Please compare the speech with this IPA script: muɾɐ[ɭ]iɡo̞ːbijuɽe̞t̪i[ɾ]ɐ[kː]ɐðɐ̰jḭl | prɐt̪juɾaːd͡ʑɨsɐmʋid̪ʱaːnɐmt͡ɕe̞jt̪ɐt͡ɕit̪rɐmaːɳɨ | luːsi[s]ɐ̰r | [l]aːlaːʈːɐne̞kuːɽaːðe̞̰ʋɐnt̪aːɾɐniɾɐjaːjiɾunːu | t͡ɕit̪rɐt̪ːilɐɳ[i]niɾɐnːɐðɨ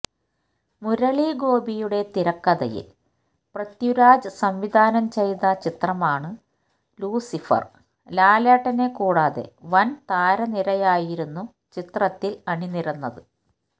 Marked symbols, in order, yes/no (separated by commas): yes, yes, yes, no, yes, yes